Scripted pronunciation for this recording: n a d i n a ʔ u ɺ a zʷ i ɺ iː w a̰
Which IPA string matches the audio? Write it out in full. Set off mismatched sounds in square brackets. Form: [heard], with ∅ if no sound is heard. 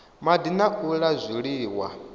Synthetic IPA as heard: [m] a d i n a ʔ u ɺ a zʷ i ɺ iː w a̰